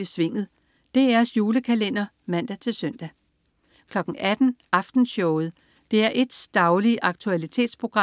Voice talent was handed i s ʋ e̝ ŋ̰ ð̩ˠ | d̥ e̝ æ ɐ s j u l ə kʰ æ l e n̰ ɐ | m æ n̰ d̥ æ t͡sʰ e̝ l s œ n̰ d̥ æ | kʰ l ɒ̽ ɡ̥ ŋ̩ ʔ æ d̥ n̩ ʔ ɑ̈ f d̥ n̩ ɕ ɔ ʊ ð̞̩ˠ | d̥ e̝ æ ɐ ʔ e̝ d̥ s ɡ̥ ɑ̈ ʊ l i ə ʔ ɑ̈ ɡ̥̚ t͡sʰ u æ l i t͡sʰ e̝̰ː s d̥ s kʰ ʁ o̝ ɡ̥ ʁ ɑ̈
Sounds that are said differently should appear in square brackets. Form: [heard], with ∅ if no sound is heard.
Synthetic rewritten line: i s ʋ e̝ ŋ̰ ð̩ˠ | d̥ e̝ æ ɐ s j [uː] l ə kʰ æ l e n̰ ɐ | m æ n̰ d̥ æ t͡sʰ e̝ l s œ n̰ d̥ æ | kʰ l ɒ̽ ɡ̥ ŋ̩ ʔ æ d̥ n̩ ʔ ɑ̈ f d̥ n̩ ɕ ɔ ʊ ð̞̩ˠ | d̥ e̝ æ ɐ ʔ e̝ d̥ s [d̥] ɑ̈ ʊ l i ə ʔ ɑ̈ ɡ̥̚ t͡sʰ u æ l i t͡sʰ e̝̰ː [∅] d̥ s [pʰ] ʁ o̝ ɡ̥ ʁ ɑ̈